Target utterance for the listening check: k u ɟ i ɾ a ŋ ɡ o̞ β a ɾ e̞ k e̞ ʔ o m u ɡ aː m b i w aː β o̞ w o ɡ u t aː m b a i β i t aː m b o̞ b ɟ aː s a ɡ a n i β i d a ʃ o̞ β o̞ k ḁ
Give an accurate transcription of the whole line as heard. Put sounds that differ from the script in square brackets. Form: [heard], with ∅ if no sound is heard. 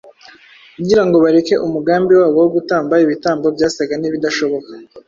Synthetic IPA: k u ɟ i ɾ a ŋ ɡ o̞ β a ɾ e̞ k e̞ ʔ [u] m u ɡ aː m b i w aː β o̞ w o ɡ u t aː m b a i β i t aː m b o̞ b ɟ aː s a ɡ a n i β i d a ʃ o̞ β o̞ k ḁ